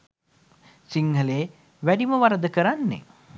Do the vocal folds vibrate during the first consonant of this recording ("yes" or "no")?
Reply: no